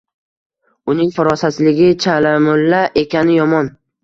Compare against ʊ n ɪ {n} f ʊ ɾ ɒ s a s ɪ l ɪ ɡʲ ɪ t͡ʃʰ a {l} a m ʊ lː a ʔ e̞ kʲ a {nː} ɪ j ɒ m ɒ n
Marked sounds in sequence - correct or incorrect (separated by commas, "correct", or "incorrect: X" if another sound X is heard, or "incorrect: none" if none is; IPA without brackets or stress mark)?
incorrect: ŋ, correct, incorrect: n